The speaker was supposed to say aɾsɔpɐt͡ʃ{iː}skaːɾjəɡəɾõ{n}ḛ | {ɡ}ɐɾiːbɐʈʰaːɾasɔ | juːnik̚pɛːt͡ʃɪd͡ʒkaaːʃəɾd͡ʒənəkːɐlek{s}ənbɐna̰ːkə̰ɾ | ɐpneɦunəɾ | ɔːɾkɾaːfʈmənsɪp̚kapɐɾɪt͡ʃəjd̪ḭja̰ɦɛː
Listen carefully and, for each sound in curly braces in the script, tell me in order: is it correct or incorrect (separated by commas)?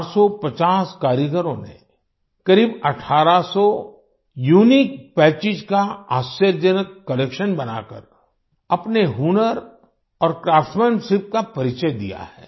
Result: incorrect, correct, incorrect, incorrect